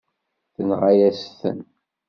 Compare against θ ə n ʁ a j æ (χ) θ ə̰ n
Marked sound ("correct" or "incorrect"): incorrect